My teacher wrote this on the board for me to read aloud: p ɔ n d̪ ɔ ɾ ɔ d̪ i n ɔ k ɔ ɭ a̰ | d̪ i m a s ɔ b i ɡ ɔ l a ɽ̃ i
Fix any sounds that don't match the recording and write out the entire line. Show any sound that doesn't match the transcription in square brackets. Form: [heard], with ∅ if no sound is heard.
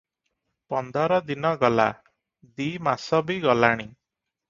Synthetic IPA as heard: p ɔ n d̪ ɔ ɾ ɔ d̪ i n ɔ [ɡ] ɔ [l] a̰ | d̪ i m a s ɔ b i ɡ ɔ l a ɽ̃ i